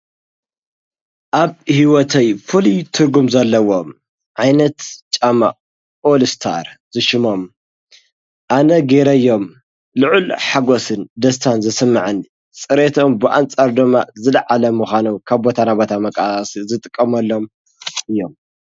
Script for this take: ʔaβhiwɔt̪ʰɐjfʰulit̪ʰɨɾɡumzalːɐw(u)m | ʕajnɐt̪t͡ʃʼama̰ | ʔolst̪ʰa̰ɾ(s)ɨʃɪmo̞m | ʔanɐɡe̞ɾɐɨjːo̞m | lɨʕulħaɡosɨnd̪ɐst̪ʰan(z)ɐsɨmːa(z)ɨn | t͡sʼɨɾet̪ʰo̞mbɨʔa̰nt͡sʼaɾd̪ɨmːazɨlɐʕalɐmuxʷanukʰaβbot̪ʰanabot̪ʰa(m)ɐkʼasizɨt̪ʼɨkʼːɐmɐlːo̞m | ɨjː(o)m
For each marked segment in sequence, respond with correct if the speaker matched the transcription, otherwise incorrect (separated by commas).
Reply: incorrect, incorrect, correct, incorrect, correct, correct